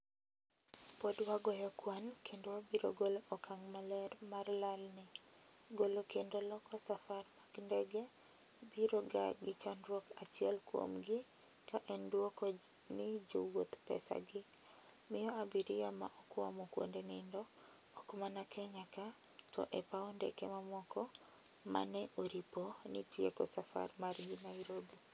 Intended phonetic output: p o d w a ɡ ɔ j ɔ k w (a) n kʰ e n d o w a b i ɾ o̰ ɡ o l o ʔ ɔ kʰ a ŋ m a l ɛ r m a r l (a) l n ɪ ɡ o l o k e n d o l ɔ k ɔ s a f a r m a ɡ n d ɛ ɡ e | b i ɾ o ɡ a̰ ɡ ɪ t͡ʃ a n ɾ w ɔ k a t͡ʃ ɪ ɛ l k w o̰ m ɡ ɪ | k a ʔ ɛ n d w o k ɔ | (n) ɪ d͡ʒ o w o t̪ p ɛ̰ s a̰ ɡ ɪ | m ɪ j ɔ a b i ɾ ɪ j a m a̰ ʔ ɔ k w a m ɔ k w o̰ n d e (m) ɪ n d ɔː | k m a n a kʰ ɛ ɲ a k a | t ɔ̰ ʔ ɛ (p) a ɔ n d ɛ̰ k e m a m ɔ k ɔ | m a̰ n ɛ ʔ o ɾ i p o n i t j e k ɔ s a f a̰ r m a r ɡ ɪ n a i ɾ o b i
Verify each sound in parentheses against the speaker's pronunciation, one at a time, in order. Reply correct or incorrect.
correct, correct, correct, incorrect, correct

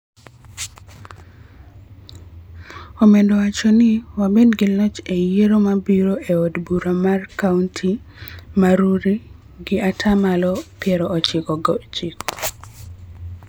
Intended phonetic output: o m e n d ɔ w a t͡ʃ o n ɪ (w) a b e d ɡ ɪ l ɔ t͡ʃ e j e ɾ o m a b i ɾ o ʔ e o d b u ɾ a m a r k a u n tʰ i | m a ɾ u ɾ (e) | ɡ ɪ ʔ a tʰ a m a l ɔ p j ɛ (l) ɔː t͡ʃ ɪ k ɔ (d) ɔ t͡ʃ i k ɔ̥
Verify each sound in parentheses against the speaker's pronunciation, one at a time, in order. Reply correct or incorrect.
correct, incorrect, incorrect, incorrect

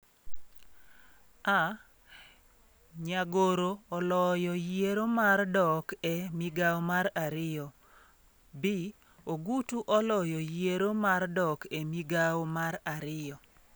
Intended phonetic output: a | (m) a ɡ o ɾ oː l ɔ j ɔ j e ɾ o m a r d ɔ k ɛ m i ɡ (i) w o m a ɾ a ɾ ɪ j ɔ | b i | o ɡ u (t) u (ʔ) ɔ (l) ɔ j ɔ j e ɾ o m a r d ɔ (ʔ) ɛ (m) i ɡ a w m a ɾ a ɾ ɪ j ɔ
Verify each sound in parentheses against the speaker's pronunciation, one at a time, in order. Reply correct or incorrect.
incorrect, incorrect, correct, correct, correct, incorrect, correct

